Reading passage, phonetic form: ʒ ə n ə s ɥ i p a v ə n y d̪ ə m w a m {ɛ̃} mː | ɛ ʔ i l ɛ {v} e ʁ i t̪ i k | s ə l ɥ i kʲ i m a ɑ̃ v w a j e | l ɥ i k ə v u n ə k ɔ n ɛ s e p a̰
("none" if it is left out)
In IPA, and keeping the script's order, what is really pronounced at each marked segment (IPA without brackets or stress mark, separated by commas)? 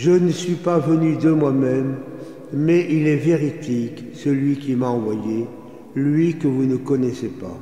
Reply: ɛ, v